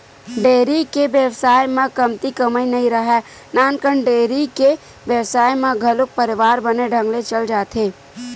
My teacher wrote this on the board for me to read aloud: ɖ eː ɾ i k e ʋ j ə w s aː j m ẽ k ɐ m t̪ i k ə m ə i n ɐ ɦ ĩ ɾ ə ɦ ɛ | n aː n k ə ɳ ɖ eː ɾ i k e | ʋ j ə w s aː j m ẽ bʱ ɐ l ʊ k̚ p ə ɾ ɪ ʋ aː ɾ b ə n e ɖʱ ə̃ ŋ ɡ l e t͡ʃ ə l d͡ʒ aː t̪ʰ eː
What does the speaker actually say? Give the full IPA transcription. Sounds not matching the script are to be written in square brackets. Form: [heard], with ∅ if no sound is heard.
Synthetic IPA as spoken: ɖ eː ɾ i k e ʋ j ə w s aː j m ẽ k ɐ m t̪ i k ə m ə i n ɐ ɦ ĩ ɾ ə ɦ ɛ | n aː n k ə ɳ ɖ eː ɾ i k e | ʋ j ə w s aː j m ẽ [ɡʱ] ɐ l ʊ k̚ p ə ɾ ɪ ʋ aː ɾ b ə n e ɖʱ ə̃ ŋ ɡ l e t͡ʃ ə l d͡ʒ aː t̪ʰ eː

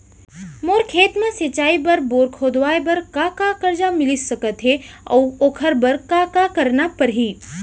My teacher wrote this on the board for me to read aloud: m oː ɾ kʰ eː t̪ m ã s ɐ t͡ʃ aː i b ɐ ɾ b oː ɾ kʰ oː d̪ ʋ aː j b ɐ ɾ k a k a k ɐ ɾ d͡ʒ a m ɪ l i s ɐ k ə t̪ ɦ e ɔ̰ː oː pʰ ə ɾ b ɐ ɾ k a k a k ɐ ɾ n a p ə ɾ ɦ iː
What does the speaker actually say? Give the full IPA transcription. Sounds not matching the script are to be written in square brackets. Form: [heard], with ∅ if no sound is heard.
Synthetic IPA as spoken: m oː ɾ kʰ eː t̪ m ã s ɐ t͡ʃ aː i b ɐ ɾ b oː ɾ kʰ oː d̪ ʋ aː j b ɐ ɾ k a k a k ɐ ɾ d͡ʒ a m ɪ l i s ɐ k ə t̪ ɦ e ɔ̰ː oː [kʰ] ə ɾ b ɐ ɾ k a k a k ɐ ɾ n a p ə ɾ ɦ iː

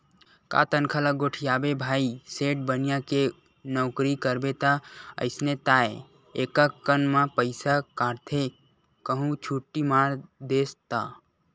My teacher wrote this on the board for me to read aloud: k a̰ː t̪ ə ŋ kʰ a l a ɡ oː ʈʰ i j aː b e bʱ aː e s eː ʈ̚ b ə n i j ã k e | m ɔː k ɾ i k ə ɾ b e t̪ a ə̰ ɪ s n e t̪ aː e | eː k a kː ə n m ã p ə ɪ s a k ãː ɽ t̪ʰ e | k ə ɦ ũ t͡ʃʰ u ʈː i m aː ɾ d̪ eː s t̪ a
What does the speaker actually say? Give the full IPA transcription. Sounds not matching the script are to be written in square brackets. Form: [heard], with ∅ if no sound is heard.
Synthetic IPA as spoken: k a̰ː t̪ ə [n] kʰ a l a ɡ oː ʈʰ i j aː b e bʱ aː [i] s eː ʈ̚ b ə n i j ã k e | [n] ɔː k ɾ i k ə ɾ b e t̪ a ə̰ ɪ s n e t̪ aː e | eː k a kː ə n m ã p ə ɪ s a k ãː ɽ t̪ʰ e | k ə ɦ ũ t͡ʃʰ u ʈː i m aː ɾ d̪ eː s t̪ a

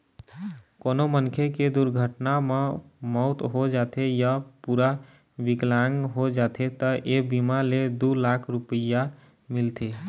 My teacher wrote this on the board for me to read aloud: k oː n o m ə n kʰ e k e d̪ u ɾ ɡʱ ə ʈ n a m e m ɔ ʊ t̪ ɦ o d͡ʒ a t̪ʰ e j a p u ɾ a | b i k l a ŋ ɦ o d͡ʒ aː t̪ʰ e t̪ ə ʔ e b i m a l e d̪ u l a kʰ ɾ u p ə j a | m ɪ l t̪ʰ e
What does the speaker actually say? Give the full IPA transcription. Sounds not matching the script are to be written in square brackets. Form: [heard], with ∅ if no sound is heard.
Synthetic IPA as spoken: k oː n o m ə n kʰ e k e d̪ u ɾ ɡʱ ə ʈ n a m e m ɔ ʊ t̪ ɦ o d͡ʒ a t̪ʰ e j a p u ɾ a | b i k l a ŋ ɦ o d͡ʒ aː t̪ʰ e t̪ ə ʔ e b i m a l e d̪ u l a kʰ ɾ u p ə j a | m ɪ l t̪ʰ e

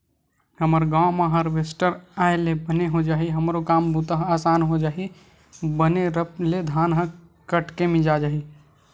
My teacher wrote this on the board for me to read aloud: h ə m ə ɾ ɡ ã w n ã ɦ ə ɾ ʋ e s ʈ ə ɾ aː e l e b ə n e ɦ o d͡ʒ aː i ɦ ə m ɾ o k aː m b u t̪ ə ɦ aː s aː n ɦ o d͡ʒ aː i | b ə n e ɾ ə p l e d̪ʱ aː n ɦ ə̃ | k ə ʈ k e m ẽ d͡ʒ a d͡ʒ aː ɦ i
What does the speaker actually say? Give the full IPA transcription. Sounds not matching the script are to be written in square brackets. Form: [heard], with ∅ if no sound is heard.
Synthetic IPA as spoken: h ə m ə ɾ ɡ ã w [m] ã ɦ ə ɾ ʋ e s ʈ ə ɾ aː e l e b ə n e ɦ o d͡ʒ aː i ɦ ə m ɾ o k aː m b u t̪ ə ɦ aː s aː n ɦ o d͡ʒ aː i | b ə n e ɾ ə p l e d̪ʱ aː n ɦ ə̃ | k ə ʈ k e m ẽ d͡ʒ a d͡ʒ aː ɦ i

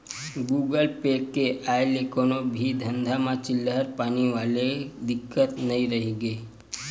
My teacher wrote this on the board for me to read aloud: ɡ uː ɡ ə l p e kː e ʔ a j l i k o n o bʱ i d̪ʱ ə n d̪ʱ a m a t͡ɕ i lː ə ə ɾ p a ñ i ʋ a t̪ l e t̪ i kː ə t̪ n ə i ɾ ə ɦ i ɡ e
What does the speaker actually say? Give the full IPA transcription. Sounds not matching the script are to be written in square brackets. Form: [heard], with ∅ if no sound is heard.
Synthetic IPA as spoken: ɡ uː ɡ ə l p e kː e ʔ a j l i k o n o bʱ i d̪ʱ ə n d̪ʱ a m a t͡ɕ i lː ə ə ɾ p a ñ i ʋ a [∅] l e [d̪] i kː ə t̪ n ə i ɾ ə ɦ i ɡ e

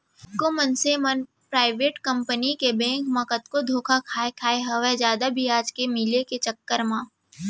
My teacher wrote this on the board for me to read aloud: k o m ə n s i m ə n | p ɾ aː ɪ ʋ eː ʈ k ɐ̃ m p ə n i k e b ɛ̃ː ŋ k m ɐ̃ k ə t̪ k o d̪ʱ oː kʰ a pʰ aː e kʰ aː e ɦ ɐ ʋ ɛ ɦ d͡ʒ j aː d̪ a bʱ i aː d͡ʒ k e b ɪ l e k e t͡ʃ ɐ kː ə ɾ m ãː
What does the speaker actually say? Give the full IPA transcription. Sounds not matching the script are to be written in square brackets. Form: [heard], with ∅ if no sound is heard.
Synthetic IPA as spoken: k o m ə n s [e] m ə n | p ɾ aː ɪ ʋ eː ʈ k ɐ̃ m p ə n i k e b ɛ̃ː ŋ k m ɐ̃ k ə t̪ k o d̪ʱ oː kʰ a [kʰ] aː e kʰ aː e ɦ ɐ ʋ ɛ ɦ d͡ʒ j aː d̪ a bʱ i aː d͡ʒ k e [m] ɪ l e k e t͡ʃ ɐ kː ə ɾ m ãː

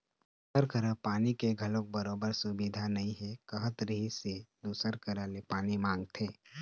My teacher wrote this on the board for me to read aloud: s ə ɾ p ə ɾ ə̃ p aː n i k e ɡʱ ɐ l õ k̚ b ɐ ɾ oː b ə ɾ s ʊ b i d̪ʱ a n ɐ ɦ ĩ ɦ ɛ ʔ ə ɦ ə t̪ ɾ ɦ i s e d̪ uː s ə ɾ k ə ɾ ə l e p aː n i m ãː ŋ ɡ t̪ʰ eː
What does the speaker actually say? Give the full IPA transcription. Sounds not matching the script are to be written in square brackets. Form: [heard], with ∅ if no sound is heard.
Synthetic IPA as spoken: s ə ɾ [k] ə ɾ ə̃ p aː n i k e ɡʱ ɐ l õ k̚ b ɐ ɾ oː b ə ɾ s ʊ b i d̪ʱ a n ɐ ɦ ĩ ɦ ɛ [k] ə ɦ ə t̪ ɾ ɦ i s e d̪ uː s ə ɾ k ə ɾ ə l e p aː n i m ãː ŋ ɡ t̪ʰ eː

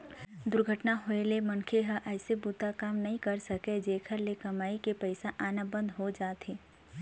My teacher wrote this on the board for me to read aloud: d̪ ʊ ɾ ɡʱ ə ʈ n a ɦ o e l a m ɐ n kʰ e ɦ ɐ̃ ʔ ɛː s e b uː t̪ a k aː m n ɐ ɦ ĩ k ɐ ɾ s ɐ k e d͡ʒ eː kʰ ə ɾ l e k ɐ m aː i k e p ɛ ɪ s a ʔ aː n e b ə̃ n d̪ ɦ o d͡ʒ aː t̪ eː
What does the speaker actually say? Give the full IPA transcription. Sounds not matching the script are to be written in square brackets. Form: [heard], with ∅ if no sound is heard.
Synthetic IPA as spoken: d̪ ʊ ɾ ɡʱ ə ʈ n a ɦ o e l [e] m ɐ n kʰ e ɦ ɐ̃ ʔ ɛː s e b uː t̪ a k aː m n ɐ ɦ ĩ k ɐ ɾ s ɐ k e d͡ʒ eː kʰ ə ɾ l e k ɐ m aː i k e p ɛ ɪ s a ʔ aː n [a] b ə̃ n d̪ ɦ o d͡ʒ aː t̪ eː

